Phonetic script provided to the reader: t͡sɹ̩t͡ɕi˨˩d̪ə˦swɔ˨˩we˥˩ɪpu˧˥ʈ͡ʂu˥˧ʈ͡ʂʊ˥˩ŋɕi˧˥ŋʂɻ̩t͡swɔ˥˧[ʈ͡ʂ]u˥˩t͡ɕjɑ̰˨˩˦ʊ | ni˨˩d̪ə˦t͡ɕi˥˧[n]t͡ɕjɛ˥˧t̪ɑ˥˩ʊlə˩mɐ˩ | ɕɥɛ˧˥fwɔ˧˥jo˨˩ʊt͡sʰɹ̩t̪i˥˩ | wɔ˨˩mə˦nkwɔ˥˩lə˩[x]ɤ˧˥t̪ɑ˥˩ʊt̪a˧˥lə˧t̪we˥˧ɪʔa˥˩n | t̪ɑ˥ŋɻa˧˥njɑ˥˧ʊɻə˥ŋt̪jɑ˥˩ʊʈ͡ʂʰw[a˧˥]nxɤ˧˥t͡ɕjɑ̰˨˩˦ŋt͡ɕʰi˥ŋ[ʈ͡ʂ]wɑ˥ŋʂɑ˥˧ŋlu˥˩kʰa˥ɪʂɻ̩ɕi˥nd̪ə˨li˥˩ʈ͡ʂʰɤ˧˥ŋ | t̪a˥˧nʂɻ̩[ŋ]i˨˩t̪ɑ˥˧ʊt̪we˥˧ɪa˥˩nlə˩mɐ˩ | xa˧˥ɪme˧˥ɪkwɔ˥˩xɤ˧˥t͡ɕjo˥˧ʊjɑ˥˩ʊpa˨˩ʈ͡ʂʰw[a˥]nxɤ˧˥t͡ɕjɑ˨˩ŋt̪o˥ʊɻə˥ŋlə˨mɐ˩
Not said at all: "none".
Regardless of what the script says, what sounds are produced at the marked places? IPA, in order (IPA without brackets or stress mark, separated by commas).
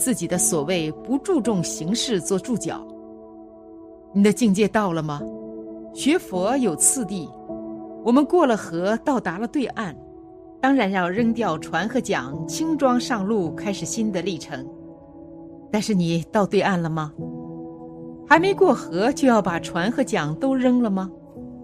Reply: ʈ͡ʂ, ŋ, x, a˧˥, ʈ͡ʂ, n, a˧˥